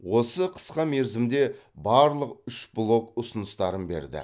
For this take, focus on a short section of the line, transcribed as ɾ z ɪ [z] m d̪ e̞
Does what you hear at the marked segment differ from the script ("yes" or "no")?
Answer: yes